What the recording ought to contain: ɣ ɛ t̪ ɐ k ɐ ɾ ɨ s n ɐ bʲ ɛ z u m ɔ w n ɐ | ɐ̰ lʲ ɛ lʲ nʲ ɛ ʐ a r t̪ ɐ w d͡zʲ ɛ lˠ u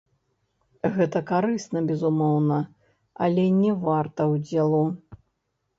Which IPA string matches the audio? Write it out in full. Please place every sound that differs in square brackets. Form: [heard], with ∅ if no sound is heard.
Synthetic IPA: ɣ ɛ t̪ ɐ k [a] ɾ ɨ s n ɐ bʲ ɛ z u m ɔ w n ɐ | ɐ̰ lʲ ɛ [∅] nʲ ɛ [v] a r t̪ ɐ w d͡zʲ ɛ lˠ u

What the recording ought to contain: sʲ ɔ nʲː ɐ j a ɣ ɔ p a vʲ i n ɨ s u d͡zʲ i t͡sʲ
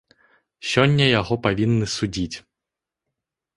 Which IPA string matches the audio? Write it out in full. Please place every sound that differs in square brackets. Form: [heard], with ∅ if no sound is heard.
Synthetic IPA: sʲ ɔ nʲː ɐ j a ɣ ɔ p a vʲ i [nː] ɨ s u d͡zʲ i t͡sʲ

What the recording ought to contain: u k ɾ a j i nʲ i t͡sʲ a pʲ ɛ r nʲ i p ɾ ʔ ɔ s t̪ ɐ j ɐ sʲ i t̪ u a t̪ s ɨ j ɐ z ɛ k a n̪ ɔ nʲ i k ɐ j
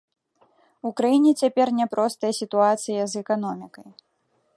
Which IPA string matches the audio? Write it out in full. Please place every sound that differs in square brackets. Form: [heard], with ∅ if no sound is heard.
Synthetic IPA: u k ɾ a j i nʲ [ɛ] t͡sʲ a pʲ ɛ r nʲ [ɛ] p ɾ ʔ ɔ s t̪ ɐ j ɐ sʲ i t̪ u a t̪ s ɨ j ɐ z ɛ k a n̪ ɔ [mʲ] i k ɐ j

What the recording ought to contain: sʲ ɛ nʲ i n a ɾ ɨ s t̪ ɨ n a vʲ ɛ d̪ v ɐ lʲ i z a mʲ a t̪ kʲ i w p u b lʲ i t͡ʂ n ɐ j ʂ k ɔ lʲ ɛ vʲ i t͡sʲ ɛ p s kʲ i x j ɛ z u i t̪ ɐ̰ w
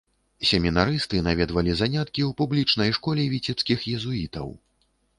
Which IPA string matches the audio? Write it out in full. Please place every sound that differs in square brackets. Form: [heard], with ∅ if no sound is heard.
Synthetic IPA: sʲ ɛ [mʲ] i n a ɾ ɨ s t̪ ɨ n a vʲ ɛ d̪ v ɐ lʲ i z a [nʲ] a t̪ kʲ i w p u b lʲ i t͡ʂ n ɐ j ʂ k ɔ lʲ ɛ vʲ i t͡sʲ ɛ p s kʲ i x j ɛ z u i t̪ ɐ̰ w

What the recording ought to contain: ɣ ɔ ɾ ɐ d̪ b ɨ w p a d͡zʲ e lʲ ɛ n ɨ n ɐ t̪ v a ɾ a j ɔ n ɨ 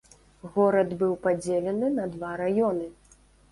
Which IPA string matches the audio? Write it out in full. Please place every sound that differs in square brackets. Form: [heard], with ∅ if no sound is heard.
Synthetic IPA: ɣ ɔ ɾ ɐ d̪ b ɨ w p a d͡zʲ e lʲ ɛ n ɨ n ɐ [d̪] v a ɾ a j ɔ n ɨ

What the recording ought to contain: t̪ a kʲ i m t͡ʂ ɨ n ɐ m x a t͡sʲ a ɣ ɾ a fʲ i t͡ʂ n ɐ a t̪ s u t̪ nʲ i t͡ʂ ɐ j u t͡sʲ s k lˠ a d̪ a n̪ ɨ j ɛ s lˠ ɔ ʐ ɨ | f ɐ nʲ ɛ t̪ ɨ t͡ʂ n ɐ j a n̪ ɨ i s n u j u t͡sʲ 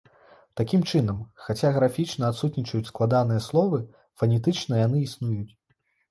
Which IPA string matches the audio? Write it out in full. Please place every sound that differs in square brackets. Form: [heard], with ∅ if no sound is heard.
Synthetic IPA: t̪ a kʲ i m t͡ʂ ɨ n ɐ m x a t͡sʲ a ɣ ɾ a fʲ i t͡ʂ n ɐ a t̪ s u t̪ nʲ i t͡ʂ ɐ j u t͡sʲ s k lˠ a d̪ a n̪ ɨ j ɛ s lˠ ɔ [v] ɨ | f ɐ nʲ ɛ t̪ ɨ t͡ʂ n ɐ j a n̪ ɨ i s n u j u t͡sʲ

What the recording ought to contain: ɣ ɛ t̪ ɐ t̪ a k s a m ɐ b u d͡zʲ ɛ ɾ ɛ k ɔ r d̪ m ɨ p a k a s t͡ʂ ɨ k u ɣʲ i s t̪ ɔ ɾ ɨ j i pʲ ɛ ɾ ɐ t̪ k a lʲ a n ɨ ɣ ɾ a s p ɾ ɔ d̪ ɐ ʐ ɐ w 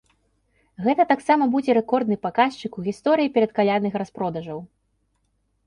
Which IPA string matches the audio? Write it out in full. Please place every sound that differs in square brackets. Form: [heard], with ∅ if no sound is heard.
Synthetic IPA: ɣ ɛ t̪ ɐ t̪ a k s a m ɐ b u d͡zʲ ɛ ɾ ɛ k ɔ r d̪ [n] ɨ p a k a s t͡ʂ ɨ k u ɣʲ i s t̪ ɔ ɾ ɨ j i pʲ ɛ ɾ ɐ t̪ k a lʲ a n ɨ [x] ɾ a s p ɾ ɔ d̪ ɐ ʐ ɐ w

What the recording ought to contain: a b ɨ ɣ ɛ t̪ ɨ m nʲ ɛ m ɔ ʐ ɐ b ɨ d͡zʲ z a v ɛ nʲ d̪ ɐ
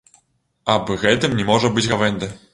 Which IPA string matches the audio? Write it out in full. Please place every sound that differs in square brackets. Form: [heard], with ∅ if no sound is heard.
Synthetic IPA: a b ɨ ɣ ɛ t̪ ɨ m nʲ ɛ m ɔ ʐ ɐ b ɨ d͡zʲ [ɣ] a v ɛ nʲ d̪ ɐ

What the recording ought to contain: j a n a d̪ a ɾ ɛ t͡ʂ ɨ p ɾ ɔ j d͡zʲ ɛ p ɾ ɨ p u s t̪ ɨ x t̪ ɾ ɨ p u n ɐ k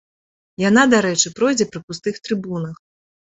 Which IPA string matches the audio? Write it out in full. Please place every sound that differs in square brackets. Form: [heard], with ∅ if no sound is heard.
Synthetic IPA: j a n a d̪ a ɾ ɛ t͡ʂ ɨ p ɾ ɔ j d͡zʲ ɛ p ɾ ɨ p u s t̪ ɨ x t̪ ɾ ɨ [b] u n ɐ [x]

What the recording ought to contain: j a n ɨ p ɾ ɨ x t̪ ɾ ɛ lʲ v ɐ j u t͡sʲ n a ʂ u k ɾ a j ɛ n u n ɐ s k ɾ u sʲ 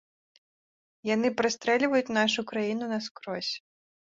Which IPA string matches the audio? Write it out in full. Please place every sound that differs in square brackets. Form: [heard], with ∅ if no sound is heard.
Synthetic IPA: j a n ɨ p ɾ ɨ [s] t̪ ɾ ɛ lʲ v ɐ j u t͡sʲ n a ʂ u k ɾ a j [i] n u n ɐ s k ɾ [ɔ] sʲ

